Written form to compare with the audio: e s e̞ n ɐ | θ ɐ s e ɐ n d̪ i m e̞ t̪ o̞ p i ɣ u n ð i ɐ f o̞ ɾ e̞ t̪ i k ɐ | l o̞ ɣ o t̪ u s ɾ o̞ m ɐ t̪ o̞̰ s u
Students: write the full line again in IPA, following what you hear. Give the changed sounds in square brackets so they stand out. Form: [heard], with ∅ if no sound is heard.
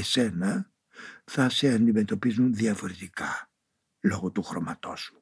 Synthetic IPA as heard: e s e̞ n ɐ | θ ɐ s e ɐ n d̪ i m e̞ t̪ o̞ p i [z] u n ð i ɐ f o̞ ɾ e̞ t̪ i k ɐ | l o̞ ɣ o t̪ u [x] ɾ o̞ m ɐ t̪ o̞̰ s u